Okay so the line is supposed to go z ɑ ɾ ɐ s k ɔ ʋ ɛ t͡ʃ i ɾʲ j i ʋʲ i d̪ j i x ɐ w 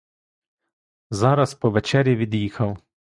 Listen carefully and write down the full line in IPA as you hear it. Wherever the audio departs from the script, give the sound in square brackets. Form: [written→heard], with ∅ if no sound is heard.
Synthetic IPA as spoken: z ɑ ɾ ɐ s [k→p] ɔ ʋ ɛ t͡ʃ [i→ɛ] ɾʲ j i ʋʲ i d̪ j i x ɐ w